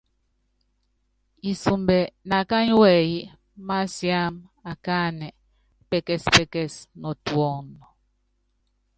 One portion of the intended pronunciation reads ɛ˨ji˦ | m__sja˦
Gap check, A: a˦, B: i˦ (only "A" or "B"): A